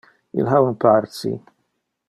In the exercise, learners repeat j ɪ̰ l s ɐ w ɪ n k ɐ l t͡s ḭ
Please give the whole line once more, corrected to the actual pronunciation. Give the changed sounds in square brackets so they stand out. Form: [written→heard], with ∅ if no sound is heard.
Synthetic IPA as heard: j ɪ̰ l [s→ħ] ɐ w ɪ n [k→p] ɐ [l→ɾ] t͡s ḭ